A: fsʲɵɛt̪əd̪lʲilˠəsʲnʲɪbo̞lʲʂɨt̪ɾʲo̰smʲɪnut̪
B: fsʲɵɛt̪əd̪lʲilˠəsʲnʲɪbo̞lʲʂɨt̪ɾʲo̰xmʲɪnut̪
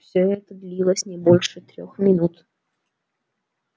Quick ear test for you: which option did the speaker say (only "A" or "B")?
B